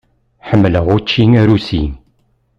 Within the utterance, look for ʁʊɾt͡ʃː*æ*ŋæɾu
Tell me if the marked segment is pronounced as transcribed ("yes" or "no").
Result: no